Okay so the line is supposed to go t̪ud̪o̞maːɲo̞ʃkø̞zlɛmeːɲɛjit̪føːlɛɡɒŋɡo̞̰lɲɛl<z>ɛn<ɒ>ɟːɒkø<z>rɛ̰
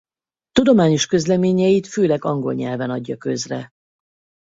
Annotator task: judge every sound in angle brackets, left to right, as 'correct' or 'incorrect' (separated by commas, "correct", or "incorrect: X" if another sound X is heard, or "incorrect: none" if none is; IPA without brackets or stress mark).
incorrect: v, correct, correct